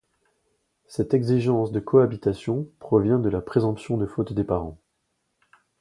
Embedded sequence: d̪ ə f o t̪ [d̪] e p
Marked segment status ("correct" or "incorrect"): correct